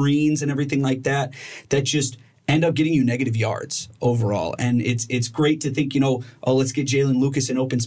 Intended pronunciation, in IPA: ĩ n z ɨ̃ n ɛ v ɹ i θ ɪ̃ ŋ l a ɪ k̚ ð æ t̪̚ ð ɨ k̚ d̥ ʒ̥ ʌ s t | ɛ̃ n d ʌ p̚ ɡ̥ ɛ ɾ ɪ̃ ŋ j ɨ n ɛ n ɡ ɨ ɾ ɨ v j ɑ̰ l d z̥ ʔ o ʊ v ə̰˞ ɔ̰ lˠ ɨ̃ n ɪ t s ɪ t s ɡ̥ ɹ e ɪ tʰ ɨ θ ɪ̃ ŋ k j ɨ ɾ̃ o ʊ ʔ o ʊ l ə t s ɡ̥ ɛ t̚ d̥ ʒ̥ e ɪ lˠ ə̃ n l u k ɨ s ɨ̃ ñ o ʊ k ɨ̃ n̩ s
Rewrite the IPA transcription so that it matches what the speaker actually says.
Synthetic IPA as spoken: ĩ n z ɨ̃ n ɛ v ɹ i θ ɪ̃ ŋ l a ɪ k̚ ð æ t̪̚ ð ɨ t̚ d̥ ʒ̥ ʌ s t | ɛ̃ n d ʌ p̚ ɡ̥ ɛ ɾ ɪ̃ ŋ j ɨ n ɛ ɡ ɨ ɾ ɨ v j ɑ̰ ɹ d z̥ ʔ o ʊ v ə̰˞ ɔ̰ lˠ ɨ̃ n ɪ t s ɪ t s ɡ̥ ɹ e ɪ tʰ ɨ θ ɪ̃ ŋ k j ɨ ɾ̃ o ʊ ʔ o ʊ l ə t s ɡ̥ ɛ t̚ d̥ ʒ̥ e ɪ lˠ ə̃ n l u k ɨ s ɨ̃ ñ o ʊ p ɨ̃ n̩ s